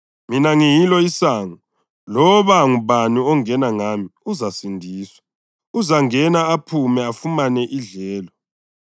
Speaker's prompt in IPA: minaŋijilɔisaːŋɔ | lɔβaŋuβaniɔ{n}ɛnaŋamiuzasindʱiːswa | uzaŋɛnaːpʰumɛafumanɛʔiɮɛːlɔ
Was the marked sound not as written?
yes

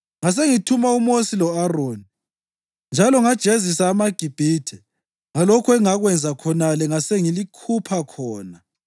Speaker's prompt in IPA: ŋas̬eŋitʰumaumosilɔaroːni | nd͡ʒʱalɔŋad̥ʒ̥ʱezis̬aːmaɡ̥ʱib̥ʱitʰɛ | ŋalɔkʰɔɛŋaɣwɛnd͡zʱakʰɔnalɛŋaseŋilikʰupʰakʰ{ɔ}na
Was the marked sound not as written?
yes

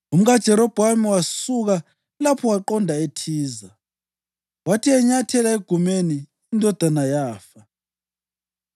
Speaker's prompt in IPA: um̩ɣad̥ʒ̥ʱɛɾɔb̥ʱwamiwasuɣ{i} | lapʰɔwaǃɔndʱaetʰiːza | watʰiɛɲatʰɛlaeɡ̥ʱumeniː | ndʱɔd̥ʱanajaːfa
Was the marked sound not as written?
yes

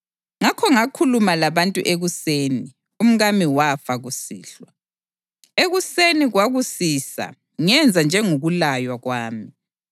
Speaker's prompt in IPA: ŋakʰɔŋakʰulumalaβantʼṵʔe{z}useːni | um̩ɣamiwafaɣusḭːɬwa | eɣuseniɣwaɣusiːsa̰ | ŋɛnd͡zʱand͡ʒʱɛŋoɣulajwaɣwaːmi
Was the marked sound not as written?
yes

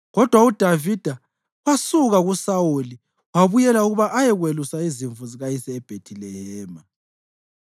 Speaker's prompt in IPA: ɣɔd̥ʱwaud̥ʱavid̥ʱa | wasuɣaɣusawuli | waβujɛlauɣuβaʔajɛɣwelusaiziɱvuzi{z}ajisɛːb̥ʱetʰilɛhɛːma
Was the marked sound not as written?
yes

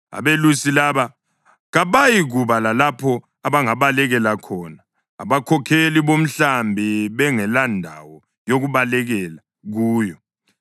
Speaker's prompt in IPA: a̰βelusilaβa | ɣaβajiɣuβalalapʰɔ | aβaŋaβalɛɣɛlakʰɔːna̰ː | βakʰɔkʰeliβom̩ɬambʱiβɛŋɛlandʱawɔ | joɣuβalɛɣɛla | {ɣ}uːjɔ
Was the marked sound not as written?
no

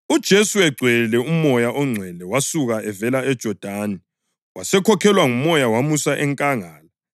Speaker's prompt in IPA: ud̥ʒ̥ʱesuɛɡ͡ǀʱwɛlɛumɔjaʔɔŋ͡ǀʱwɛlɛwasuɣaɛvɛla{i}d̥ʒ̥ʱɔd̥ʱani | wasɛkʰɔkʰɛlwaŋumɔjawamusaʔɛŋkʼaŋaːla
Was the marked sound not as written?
yes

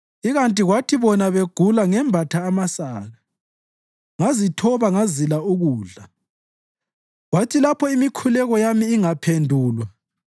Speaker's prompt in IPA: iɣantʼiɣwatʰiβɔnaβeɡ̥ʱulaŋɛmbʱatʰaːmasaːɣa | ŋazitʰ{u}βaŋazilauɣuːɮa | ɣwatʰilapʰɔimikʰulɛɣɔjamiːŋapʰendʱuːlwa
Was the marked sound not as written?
yes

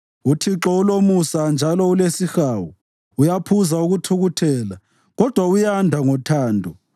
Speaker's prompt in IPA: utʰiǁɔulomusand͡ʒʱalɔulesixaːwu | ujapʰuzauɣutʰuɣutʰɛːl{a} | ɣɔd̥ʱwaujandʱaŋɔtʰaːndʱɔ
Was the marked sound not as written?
no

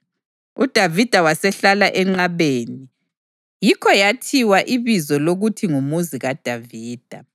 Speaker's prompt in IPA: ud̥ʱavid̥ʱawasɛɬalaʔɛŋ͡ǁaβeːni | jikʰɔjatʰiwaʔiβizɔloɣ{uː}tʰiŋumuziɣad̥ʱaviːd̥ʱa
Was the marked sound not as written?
yes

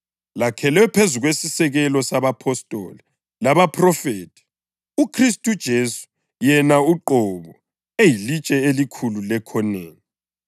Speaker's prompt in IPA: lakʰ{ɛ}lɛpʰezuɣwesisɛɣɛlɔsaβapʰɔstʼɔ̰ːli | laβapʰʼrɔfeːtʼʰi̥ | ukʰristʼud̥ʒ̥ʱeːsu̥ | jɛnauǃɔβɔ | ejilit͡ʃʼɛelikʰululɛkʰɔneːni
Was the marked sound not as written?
no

